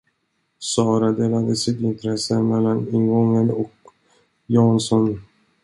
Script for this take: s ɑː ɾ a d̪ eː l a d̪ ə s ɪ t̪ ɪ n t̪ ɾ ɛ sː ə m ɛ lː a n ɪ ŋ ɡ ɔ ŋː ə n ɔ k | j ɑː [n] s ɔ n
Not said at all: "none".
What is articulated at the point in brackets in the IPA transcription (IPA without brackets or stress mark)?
n